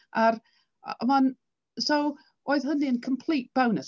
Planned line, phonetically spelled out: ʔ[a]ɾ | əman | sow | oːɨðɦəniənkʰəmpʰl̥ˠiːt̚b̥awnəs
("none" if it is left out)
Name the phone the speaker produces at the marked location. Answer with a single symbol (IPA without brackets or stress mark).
a